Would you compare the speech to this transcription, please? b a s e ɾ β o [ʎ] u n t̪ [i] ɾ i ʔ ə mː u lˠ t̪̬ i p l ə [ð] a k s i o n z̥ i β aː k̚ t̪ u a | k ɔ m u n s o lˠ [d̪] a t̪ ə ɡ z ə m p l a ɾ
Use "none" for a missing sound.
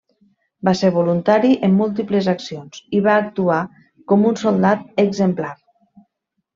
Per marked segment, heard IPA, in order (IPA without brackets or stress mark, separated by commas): l, a, z, d̪